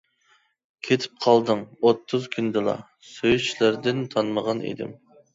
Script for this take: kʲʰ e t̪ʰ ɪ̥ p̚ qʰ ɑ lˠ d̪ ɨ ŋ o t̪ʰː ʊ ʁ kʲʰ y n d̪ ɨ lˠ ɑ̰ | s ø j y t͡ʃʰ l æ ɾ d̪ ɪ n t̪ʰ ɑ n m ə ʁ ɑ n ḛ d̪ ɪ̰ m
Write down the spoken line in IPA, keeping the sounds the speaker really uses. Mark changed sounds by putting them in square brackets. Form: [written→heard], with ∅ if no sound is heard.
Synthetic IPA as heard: kʲʰ e t̪ʰ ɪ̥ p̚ qʰ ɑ lˠ d̪ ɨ ŋ o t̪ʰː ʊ [ʁ→z] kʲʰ y n d̪ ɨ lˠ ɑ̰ | s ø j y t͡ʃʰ l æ ɾ d̪ ɪ n t̪ʰ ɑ n m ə ʁ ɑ n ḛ d̪ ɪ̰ m